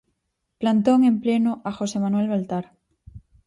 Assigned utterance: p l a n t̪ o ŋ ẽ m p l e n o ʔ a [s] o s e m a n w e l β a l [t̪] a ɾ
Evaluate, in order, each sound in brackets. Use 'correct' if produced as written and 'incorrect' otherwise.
incorrect, correct

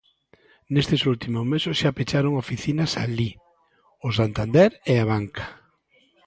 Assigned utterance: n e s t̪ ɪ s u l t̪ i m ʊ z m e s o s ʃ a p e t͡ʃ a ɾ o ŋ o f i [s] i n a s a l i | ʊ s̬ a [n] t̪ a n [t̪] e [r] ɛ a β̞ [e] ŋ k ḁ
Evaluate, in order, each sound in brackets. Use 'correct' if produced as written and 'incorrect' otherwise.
incorrect, correct, incorrect, incorrect, incorrect

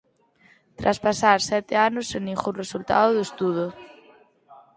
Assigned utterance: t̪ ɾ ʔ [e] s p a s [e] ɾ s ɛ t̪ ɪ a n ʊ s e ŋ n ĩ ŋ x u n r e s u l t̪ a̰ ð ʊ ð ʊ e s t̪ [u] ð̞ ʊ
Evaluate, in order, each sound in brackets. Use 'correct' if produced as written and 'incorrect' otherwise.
incorrect, incorrect, correct

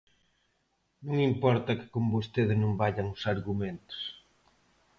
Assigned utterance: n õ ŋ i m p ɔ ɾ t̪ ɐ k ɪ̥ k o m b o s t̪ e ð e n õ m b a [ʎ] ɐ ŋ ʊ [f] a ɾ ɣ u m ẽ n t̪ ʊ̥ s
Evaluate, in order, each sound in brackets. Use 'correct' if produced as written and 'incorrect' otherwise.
correct, incorrect

